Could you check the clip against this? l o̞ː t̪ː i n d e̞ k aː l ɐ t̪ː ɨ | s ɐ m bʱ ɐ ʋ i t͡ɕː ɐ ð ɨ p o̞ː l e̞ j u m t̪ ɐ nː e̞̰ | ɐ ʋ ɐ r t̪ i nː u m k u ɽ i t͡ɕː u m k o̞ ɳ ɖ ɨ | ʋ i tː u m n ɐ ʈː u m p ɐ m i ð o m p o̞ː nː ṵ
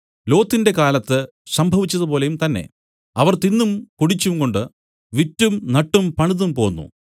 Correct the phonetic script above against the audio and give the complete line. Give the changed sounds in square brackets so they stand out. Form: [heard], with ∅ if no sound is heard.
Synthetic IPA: l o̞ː t̪ː i n d e̞ k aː l ɐ t̪ː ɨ | s ɐ m bʱ ɐ ʋ i t͡ɕː ɐ ð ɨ p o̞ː l e̞ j u m t̪ ɐ nː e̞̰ | ɐ ʋ ɐ r t̪ i nː u m k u ɽ i t͡ɕː u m k o̞ ɳ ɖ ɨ | ʋ i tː u m n ɐ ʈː u m p ɐ [ɳ] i ð [u] m p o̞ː nː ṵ